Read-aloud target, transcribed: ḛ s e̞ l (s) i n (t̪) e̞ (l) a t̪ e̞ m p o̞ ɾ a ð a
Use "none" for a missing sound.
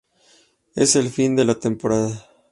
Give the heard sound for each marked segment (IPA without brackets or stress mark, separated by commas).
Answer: f, d̪, l